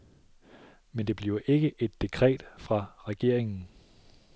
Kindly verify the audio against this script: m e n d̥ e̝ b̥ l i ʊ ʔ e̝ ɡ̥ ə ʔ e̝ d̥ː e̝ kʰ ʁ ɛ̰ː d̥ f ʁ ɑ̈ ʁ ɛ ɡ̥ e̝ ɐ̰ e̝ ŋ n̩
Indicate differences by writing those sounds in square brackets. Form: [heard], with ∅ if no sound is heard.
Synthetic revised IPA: m e n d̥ e̝ b̥ l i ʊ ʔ e̝ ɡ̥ ə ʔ e̝ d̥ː e̝ kʰ ʁ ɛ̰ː d̥ f ʁ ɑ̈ ʁ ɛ ɡ̥ e̝ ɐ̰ e̝ ŋ n̩